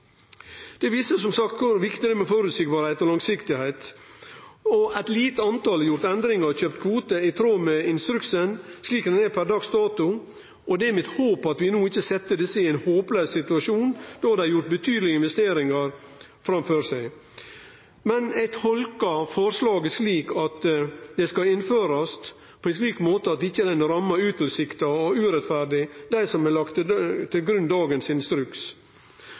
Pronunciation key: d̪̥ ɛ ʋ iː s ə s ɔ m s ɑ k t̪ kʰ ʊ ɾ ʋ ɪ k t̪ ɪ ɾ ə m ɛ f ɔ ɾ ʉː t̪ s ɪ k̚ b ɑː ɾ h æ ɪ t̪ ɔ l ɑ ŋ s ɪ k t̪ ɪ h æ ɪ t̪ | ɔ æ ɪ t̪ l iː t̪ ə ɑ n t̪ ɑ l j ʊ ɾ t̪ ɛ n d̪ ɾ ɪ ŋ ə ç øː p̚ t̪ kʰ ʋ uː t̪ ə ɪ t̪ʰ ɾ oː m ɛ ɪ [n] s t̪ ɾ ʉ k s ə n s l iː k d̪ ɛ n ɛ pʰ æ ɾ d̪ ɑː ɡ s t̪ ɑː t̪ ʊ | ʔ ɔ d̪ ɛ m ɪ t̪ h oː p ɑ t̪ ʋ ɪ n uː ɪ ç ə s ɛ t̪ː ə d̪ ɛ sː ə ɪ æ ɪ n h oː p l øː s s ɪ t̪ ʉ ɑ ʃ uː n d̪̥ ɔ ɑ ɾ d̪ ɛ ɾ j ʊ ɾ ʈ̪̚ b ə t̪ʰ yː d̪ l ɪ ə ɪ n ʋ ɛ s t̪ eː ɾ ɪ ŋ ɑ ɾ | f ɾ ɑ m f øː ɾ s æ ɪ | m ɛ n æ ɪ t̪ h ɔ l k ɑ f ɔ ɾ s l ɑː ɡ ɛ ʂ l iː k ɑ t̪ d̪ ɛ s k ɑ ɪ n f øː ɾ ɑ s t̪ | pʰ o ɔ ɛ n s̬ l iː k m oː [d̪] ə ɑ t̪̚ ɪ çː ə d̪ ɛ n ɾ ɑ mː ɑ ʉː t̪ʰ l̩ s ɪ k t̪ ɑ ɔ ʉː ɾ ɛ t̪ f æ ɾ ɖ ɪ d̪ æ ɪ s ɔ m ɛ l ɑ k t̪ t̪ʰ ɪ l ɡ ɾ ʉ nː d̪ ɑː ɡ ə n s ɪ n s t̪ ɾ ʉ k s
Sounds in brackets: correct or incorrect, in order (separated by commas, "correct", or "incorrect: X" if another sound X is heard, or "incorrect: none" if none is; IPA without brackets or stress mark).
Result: correct, incorrect: t̪